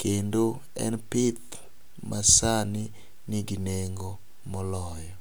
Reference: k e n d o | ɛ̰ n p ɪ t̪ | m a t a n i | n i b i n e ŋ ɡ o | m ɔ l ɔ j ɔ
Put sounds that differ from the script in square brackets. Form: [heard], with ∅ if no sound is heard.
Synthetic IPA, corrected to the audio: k e n d o | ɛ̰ n p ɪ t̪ | m a [s] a n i | n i [ɡ] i n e ŋ ɡ o | m ɔ l ɔ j ɔ